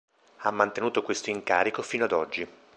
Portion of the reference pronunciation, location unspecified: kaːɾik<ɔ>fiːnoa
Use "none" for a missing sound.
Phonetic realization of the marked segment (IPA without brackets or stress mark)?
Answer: o